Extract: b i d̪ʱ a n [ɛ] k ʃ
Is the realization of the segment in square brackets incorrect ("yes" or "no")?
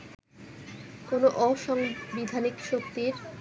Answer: yes